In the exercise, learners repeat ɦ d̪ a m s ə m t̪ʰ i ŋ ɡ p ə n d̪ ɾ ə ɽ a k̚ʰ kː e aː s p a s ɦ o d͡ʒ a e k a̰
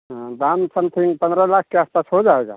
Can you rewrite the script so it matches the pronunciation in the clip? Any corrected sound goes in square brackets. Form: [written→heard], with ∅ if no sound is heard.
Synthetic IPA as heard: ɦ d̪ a m s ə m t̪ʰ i ŋ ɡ p ə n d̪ ɾ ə [ɽ→l] a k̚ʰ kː e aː s p a s ɦ o d͡ʒ a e [k→ɡ] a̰

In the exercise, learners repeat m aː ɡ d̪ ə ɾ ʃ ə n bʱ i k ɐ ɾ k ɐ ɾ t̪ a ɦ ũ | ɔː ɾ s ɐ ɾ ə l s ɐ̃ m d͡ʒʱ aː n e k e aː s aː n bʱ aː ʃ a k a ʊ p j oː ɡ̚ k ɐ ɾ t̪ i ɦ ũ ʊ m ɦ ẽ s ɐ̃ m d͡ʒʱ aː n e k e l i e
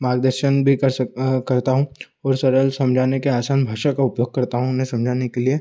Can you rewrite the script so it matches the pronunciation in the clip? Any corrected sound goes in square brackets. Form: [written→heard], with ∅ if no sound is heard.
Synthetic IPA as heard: m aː ɡ d̪ ə ɾ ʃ ə n bʱ i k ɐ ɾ k ɐ ɾ t̪ a ɦ ũ | ɔː ɾ s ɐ ɾ ə l s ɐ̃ m d͡ʒʱ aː n e k e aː s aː n bʱ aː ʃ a k a ʊ p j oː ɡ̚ k ɐ ɾ t̪ [i→a] ɦ ũ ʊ [m→n] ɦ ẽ s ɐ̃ m d͡ʒʱ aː n e k e l i e

